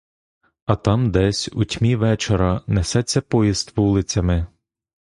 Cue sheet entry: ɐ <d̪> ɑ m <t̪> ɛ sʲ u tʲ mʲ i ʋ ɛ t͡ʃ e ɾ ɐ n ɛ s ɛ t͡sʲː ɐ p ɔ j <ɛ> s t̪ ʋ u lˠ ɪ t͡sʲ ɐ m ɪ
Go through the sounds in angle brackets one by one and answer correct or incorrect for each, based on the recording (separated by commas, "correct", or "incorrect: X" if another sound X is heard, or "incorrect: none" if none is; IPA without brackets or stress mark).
incorrect: t̪, incorrect: d̪, incorrect: i